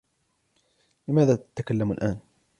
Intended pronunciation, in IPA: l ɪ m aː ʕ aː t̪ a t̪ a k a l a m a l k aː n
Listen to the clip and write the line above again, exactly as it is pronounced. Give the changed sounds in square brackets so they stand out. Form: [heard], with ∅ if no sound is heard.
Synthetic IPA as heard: l ɪ m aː [ð] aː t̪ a t̪ a k a [lː] a m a l [ʔ] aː n